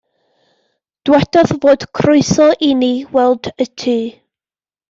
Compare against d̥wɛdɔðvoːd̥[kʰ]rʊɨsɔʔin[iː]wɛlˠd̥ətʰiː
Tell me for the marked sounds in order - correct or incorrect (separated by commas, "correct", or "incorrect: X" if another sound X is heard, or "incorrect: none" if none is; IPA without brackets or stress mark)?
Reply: correct, incorrect: i